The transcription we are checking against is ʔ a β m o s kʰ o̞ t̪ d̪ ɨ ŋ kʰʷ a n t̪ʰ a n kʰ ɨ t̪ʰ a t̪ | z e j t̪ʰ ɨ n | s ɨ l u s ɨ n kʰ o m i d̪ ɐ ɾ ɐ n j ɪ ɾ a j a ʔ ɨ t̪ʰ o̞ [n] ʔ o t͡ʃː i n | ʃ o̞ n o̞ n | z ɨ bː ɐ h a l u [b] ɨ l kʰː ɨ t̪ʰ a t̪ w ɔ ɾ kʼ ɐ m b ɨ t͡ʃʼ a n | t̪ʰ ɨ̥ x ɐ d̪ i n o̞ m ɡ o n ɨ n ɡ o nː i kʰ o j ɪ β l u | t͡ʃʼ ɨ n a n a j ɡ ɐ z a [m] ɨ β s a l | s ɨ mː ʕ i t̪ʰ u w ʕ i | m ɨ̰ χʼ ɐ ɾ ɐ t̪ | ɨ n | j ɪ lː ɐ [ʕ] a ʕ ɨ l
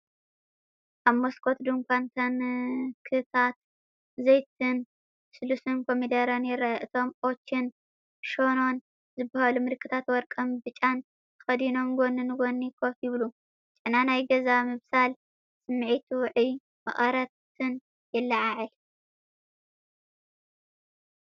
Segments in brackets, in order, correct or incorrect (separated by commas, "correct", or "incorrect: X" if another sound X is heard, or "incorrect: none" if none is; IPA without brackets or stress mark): incorrect: m, incorrect: m, correct, correct